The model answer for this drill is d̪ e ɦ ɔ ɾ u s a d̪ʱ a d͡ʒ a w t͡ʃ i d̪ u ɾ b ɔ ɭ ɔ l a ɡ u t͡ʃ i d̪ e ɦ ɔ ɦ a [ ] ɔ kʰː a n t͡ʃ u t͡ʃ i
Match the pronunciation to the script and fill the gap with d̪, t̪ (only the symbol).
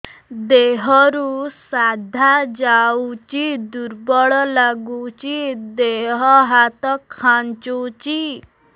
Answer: t̪